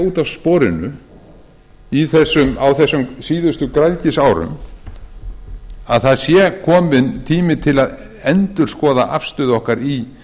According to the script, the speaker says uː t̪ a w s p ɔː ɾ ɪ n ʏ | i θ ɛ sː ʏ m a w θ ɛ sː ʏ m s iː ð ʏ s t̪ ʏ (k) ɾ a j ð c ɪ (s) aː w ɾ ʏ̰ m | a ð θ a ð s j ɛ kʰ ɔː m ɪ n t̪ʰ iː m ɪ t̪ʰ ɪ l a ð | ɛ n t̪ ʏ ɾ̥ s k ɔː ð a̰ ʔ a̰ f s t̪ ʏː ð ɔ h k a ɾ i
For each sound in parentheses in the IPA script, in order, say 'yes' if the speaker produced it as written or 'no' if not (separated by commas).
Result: yes, yes